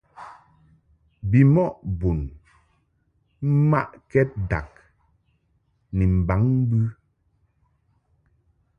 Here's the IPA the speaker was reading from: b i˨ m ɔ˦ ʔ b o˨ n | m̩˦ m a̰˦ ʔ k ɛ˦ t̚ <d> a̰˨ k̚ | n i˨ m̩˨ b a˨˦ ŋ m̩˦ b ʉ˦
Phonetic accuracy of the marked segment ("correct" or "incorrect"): correct